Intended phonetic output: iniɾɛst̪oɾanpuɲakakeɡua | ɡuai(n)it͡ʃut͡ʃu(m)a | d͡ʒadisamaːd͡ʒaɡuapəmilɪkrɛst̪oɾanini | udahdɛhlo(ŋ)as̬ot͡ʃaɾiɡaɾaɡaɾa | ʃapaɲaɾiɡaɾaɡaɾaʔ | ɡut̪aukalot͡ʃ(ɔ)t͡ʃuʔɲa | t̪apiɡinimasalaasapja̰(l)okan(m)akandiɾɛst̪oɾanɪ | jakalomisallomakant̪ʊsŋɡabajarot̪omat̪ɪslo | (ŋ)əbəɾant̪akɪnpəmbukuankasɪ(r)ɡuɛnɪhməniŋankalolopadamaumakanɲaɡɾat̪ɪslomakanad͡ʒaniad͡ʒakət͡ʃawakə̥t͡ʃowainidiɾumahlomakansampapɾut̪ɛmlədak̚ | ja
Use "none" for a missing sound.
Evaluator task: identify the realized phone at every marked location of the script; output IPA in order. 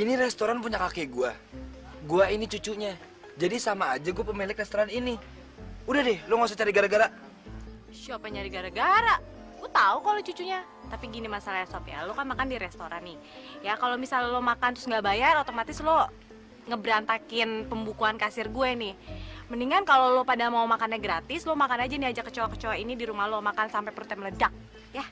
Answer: n, ɲ, ŋ, u, l, m, ŋ, r

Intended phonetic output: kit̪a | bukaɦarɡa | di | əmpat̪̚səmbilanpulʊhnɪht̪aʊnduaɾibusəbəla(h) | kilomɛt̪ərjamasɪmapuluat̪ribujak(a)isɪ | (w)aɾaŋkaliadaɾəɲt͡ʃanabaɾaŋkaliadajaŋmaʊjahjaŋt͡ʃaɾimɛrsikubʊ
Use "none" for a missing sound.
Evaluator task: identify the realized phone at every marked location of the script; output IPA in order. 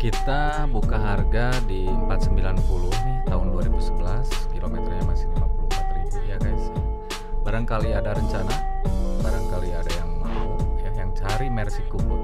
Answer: s, a, b

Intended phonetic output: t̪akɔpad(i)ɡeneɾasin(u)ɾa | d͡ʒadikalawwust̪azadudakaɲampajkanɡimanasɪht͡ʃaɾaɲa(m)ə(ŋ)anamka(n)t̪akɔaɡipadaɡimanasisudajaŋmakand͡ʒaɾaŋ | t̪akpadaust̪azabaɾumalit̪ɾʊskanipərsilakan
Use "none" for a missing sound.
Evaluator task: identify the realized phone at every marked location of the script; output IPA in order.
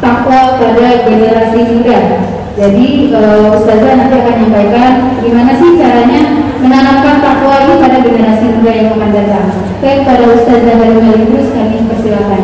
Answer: a, u, m, n, n

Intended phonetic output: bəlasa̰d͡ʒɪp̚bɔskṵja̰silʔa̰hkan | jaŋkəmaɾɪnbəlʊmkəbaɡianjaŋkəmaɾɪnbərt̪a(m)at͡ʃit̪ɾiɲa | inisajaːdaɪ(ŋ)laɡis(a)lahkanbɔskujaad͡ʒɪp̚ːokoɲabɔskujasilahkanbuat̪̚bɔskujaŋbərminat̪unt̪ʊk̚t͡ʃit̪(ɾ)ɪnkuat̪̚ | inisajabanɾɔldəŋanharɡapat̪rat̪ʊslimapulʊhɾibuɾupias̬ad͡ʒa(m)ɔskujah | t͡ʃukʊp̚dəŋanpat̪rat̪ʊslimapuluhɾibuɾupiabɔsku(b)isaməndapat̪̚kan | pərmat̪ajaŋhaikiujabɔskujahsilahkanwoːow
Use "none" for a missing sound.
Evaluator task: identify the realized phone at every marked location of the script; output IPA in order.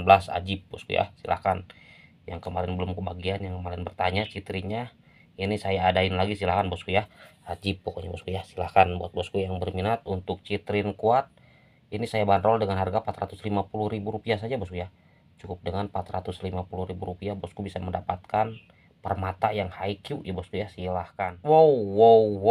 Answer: ɲ, n, i, ɾ, b, b

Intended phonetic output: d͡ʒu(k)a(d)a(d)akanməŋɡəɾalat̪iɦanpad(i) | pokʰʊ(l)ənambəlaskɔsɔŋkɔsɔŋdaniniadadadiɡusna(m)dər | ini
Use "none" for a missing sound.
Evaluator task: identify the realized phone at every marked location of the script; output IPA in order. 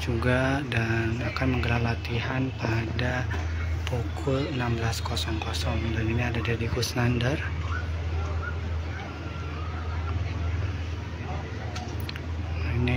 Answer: ɡ, d, n, a, l, n

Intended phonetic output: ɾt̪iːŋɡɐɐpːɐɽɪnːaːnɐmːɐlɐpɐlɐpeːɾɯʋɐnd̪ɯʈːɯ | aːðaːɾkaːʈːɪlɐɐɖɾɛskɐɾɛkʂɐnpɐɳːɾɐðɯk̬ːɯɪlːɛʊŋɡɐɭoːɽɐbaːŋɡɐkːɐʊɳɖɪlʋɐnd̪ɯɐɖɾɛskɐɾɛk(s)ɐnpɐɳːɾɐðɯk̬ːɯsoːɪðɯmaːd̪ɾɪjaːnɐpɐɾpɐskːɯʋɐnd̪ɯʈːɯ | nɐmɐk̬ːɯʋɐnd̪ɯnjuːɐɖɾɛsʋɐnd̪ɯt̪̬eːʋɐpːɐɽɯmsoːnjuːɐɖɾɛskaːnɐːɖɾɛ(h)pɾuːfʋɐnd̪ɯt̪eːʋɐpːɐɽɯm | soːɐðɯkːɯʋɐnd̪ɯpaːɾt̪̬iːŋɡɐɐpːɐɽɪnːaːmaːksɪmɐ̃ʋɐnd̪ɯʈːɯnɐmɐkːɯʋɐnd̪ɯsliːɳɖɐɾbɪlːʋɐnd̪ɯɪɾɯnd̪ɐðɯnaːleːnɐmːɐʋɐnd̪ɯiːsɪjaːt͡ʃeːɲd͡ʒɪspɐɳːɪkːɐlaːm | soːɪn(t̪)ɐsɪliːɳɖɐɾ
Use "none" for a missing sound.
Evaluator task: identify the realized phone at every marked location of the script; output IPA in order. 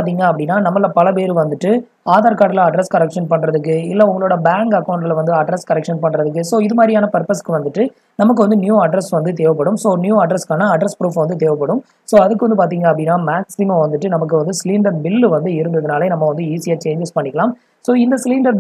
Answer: ʂ, s, d̪

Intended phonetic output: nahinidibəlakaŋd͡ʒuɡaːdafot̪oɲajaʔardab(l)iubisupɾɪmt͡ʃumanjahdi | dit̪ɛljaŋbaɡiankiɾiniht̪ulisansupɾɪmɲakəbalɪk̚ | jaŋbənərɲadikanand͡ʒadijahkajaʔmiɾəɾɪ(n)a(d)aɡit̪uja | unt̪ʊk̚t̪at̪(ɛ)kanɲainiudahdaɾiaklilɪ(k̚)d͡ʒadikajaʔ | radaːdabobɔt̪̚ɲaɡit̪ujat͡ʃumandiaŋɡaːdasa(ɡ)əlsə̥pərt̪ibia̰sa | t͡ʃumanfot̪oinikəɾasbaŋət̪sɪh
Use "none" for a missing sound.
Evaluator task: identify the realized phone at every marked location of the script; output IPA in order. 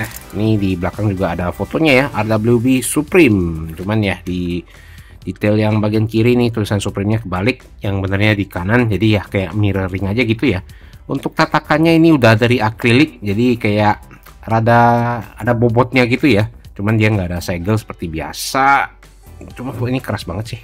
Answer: l, ŋ, d͡ʒ, a, k̚, ɡ

